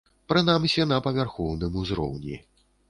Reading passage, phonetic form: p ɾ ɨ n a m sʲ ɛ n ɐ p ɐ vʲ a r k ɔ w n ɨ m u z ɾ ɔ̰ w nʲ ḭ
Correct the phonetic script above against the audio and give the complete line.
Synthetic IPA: p ɾ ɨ n a m sʲ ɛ n ɐ p ɐ vʲ a r x ɔ w n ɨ m u z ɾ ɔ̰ w nʲ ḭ

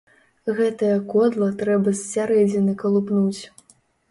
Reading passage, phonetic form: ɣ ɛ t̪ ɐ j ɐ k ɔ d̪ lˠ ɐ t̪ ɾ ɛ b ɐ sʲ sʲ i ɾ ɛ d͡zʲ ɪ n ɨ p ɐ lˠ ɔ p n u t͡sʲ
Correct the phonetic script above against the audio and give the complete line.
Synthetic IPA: ɣ ɛ t̪ ɐ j ɐ k ɔ d̪ lˠ ɐ t̪ ɾ ɛ b ɐ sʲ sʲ a ɾ ɛ d͡zʲ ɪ n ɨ k ɐ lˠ u p n u t͡sʲ

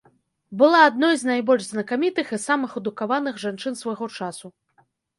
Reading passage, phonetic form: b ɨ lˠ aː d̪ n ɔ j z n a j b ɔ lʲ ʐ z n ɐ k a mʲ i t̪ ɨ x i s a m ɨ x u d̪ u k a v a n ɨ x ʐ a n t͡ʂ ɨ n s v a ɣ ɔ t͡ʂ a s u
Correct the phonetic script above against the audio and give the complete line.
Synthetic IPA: b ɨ lˠ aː d̪ n ɔ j z n a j b ɔ lʲ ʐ z n ɐ k a mʲ i t̪ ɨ x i s a m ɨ x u d̪ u k a v a n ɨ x ʐ a n t͡ʂ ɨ n s v a ɣ ɔ t͡ʂ a s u

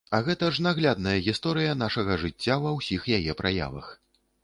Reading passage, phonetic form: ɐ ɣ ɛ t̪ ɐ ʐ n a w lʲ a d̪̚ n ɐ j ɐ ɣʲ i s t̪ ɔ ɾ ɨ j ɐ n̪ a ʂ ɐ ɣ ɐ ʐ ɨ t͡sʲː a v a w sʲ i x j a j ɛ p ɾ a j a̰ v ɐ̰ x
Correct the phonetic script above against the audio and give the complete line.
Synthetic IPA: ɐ ɣ ɛ t̪ ɐ ʐ n a ɣ lʲ a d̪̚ n ɐ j ɐ ɣʲ i s t̪ ɔ ɾ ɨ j ɐ n̪ a ʂ ɐ ɣ ɐ ʐ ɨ t͡sʲː a v ɐ w sʲ i x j a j ɛ p ɾ a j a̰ v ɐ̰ x

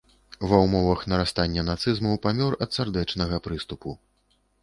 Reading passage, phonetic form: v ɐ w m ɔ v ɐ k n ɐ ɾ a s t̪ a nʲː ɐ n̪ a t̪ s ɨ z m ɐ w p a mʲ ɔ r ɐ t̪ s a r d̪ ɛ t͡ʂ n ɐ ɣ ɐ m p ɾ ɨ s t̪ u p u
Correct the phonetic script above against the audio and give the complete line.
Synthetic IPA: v ɐ w m ɔ v ɐ x n ɐ ɾ a s t̪ a nʲː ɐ n̪ a t̪ s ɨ z m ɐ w p a mʲ ɔ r ɐ t̪ s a r d̪ ɛ t͡ʂ n ɐ ɣ ɐ p ɾ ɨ s t̪ u p u

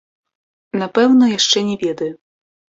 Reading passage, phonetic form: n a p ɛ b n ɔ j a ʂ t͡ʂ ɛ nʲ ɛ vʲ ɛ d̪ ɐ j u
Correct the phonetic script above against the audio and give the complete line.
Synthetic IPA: n a p ɛ w n ɔ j a ʂ t͡ʂ ɛ nʲ ɛ vʲ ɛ d̪ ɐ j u

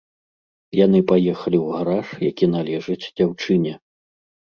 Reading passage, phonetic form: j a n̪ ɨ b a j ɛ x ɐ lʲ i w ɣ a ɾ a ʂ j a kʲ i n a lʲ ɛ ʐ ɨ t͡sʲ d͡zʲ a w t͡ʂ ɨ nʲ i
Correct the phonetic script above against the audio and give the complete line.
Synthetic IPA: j a n̪ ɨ p a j ɛ x ɐ lʲ i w ɣ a ɾ a ʂ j a kʲ i n a lʲ ɛ ʐ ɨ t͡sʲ d͡zʲ a w t͡ʂ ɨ nʲ ɛ

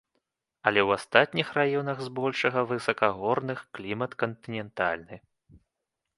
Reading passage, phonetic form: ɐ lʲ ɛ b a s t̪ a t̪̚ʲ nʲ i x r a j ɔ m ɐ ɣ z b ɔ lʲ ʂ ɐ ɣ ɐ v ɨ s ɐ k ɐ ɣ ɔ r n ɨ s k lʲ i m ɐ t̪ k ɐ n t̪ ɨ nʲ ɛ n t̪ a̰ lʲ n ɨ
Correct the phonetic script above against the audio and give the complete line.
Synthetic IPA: ɐ lʲ ɛ w a s t̪ a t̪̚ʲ nʲ i x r a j ɔ n ɐ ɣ z b ɔ lʲ ʂ ɐ ɣ ɐ v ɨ s ɐ k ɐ ɣ ɔ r n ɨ x k lʲ i m ɐ t̪ k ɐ n t̪ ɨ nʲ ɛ n t̪ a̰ lʲ n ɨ

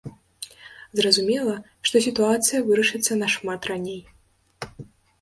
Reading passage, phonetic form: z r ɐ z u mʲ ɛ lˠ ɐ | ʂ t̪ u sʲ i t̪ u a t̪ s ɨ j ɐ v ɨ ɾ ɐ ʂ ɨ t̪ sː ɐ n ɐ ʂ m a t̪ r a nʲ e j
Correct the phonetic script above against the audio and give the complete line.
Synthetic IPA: z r ɐ z u mʲ ɛ lˠ ɐ | ʂ t̪ ɔ sʲ i t̪ u a t̪ s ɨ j ɐ v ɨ ɾ ɐ ʂ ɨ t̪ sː ɐ n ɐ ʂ m a t̪ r a nʲ e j

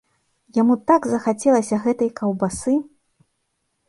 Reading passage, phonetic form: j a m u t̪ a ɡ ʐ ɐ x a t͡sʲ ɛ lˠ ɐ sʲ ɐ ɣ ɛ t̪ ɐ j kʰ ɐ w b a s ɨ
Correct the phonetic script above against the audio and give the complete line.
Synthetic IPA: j a m u t̪ a ɡ z ɐ x a t͡sʲ ɛ lˠ ɐ sʲ ɐ ɣ ɛ t̪ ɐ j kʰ ɐ w b a s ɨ

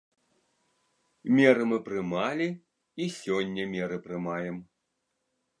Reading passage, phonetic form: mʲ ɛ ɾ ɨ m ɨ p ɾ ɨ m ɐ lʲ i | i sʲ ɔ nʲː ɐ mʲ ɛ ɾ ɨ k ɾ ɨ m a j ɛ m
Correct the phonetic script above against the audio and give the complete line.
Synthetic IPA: mʲ ɛ ɾ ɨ m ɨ p ɾ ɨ m a lʲ i | i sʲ ɔ nʲː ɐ mʲ ɛ ɾ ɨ p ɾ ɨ m a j ɛ m

